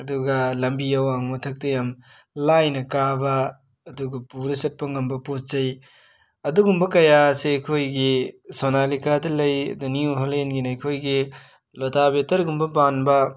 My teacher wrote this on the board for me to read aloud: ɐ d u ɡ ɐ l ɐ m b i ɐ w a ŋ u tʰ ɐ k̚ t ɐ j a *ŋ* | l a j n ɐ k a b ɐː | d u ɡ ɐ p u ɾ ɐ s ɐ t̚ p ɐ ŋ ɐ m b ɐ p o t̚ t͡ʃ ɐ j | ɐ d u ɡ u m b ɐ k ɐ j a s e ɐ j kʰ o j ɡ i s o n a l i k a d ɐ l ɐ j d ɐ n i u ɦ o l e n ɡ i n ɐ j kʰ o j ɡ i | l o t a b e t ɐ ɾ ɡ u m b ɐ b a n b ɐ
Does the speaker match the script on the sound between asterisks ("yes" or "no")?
no